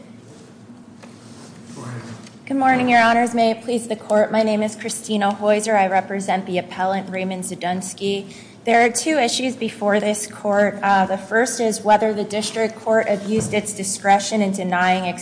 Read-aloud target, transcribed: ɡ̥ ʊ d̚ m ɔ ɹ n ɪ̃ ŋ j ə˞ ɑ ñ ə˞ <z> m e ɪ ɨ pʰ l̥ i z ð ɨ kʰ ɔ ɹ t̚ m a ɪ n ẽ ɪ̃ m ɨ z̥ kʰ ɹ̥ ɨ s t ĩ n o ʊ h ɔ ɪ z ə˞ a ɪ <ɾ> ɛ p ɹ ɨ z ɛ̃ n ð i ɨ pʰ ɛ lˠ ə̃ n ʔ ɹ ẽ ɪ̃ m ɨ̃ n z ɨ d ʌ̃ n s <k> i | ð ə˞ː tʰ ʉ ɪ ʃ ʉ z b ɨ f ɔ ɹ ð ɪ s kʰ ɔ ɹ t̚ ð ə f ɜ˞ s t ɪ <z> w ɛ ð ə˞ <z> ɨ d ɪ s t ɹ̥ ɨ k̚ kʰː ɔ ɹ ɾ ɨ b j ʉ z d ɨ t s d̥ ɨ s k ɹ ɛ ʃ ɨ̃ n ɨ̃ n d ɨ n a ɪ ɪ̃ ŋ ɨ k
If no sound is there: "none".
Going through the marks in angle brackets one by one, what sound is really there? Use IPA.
z, ɹ, k, z, ð

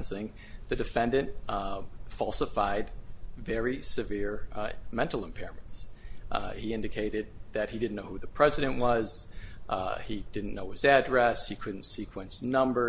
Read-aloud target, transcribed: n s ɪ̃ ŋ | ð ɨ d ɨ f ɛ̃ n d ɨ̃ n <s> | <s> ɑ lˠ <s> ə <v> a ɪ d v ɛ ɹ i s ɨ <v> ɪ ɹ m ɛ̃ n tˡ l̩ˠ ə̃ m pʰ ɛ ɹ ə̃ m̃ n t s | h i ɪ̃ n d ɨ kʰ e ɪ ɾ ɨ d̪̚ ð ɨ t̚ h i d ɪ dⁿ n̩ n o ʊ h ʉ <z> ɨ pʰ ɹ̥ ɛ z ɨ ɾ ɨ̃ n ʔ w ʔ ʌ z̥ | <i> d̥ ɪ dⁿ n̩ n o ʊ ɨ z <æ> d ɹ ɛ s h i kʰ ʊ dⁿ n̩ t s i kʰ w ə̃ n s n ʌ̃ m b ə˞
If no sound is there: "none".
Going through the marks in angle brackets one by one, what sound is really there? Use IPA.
t, f, s, f, v, ð, i, æ

